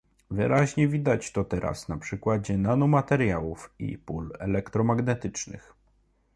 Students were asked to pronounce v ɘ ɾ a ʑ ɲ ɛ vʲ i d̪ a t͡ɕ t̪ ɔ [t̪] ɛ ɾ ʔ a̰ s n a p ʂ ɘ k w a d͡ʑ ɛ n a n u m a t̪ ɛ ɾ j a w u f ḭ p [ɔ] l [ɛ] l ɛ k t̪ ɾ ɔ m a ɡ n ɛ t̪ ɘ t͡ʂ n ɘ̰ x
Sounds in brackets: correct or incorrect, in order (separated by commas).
correct, incorrect, correct